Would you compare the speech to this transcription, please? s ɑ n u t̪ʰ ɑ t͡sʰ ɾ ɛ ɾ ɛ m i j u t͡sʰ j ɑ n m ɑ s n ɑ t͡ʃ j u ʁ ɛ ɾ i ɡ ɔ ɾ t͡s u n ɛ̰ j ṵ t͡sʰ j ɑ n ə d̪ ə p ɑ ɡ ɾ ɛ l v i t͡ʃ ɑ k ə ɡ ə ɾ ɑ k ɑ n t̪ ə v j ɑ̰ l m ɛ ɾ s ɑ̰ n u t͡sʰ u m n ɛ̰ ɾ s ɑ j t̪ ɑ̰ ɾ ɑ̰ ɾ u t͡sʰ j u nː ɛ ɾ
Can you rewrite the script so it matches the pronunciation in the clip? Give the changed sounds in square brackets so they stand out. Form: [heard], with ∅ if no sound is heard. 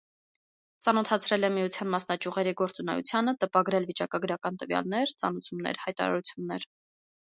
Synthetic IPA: [t͡s] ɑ n [ɔ] t̪ʰ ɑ t͡sʰ ɾ ɛ [l] ɛ m i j u t͡sʰ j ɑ n m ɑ s n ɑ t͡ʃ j u ʁ ɛ ɾ i ɡ ɔ ɾ t͡s u n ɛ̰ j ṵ t͡sʰ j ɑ n ə [t̪] ə p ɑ ɡ ɾ ɛ l v i t͡ʃ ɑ k [ɑ] ɡ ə ɾ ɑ k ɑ n t̪ ə v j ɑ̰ l [n] ɛ ɾ [t͡s] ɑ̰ n u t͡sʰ u m n ɛ̰ ɾ [h] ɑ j t̪ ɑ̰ ɾ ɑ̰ ɾ u t͡sʰ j u nː ɛ ɾ